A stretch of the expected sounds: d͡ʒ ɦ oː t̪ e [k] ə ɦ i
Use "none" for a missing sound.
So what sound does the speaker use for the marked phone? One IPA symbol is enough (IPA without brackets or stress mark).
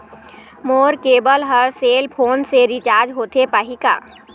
p